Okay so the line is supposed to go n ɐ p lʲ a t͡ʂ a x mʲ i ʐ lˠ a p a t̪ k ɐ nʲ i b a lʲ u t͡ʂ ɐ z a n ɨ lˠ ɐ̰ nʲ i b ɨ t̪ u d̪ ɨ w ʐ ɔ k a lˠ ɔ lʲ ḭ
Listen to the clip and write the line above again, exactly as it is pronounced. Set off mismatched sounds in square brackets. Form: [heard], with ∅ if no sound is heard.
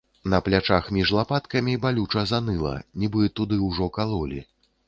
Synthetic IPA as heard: n ɐ p lʲ a t͡ʂ a x mʲ i ʐ lˠ a p a t̪ k ɐ [mʲ] i b a lʲ u t͡ʂ ɐ z a n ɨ lˠ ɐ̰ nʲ i b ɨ t̪ u d̪ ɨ w ʐ ɔ k a lˠ ɔ lʲ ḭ